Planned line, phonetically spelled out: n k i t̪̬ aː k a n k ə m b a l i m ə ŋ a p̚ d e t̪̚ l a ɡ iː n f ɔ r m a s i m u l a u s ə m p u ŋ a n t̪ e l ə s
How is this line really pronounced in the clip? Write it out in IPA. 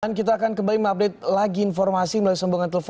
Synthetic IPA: n k i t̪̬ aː k a n k ə m b a l i m ə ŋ a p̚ d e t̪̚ l a ɡ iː n f ɔ r m a s i m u l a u s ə m b u ŋ a n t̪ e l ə f